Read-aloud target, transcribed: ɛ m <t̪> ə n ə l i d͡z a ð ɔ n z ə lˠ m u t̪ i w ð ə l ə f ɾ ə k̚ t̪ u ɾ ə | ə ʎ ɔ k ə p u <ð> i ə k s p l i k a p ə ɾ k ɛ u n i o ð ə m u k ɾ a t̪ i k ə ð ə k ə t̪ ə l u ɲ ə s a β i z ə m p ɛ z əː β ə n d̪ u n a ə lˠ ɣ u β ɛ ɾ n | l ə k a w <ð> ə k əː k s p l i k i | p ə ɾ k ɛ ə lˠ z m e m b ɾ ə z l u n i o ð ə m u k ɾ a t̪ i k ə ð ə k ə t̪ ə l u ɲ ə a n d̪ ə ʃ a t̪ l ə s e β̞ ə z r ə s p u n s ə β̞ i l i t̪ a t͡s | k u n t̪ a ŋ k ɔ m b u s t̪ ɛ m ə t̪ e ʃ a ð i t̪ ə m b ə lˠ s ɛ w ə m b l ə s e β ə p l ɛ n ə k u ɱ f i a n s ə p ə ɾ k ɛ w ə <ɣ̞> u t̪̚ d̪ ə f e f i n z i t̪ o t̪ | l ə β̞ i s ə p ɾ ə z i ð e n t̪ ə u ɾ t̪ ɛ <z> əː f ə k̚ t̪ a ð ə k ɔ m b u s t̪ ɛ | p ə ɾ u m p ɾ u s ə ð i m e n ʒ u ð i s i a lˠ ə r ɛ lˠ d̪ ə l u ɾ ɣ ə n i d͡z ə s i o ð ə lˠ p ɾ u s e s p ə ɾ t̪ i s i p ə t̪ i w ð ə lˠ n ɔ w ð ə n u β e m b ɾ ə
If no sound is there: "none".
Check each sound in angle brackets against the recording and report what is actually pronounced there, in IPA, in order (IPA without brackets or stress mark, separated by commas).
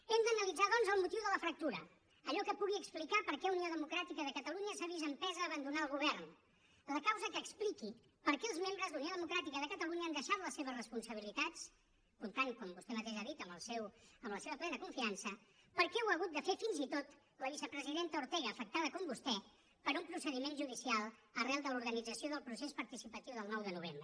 d̪, ɣ, z, ɣ̞, ɣ